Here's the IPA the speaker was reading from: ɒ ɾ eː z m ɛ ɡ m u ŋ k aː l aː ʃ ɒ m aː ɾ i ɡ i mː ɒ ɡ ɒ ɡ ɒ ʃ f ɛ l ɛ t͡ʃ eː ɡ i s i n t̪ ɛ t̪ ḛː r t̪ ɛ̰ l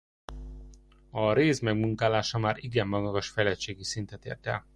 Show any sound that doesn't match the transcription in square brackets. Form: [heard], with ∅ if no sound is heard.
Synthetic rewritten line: ɒ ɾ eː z m ɛ ɡ m u ŋ k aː l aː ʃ ɒ m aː ɾ i ɡ [ɛ] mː ɒ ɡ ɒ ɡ ɒ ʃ f ɛ l ɛ t͡ʃ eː ɡ i s i n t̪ ɛ t̪ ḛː r t̪ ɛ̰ l